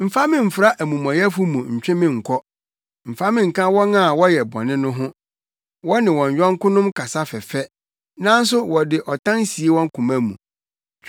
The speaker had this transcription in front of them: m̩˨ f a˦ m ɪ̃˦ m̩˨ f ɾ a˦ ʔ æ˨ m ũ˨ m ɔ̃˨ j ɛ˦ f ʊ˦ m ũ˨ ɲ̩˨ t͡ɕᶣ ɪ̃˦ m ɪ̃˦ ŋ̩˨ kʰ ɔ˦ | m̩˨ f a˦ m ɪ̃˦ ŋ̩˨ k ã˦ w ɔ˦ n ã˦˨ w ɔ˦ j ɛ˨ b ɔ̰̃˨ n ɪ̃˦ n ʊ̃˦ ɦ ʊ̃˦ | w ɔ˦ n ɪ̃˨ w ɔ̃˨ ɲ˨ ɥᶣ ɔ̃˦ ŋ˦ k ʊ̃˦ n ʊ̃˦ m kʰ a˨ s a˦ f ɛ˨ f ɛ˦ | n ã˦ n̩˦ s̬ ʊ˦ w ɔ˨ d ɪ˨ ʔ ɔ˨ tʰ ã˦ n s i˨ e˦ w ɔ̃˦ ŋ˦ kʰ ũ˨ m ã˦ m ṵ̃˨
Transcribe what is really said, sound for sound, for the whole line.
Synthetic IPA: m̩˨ f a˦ m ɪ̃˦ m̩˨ f ɾ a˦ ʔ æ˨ m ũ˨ m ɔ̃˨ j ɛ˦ f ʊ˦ m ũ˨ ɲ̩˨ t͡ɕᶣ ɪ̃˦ m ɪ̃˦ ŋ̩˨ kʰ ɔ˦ | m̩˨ f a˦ m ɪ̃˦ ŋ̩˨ k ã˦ w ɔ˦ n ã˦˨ w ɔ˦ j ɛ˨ b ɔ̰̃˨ n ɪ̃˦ n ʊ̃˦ ɦ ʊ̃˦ | w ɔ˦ n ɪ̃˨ w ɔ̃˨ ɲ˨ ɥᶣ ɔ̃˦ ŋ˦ k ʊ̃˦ n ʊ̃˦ m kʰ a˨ s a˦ f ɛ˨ f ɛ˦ | n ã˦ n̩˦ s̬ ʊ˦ w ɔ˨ d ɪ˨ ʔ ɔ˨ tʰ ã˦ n s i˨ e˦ w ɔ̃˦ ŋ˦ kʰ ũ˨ m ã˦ m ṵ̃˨